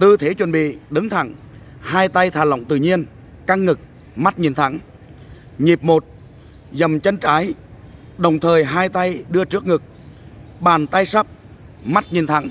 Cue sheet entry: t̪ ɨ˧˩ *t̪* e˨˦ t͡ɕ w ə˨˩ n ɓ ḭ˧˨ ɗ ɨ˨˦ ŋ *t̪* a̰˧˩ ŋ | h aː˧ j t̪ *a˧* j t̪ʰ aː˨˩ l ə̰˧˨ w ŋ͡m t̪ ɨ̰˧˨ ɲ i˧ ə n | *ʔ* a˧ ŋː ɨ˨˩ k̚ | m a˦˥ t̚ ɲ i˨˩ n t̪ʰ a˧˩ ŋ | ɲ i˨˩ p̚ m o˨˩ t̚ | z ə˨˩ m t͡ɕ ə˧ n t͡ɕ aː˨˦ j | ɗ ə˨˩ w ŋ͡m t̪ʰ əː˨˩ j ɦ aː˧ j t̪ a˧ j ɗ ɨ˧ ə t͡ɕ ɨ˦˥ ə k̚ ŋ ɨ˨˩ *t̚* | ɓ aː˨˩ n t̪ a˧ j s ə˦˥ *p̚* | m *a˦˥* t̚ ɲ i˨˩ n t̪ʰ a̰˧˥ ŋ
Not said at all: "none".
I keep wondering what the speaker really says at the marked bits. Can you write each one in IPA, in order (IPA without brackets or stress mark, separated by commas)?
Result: t̪ʰ, t̪ʰ, a˧, k, k̚, p̚, a˦˥